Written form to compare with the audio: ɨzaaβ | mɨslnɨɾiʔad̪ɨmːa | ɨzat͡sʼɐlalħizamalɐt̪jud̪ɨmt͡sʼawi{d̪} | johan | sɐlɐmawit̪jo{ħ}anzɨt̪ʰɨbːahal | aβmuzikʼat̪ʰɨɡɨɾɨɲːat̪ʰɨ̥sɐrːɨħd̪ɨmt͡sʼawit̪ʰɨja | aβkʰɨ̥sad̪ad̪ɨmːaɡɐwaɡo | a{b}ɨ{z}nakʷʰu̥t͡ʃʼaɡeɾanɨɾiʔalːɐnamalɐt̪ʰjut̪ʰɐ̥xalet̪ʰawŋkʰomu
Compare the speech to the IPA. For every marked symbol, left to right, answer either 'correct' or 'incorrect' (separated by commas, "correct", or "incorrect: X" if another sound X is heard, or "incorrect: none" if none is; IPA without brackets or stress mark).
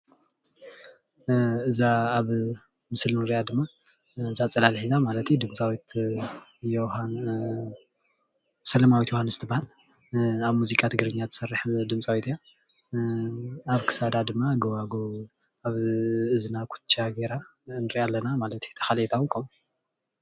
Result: incorrect: t̪, incorrect: h, incorrect: β, correct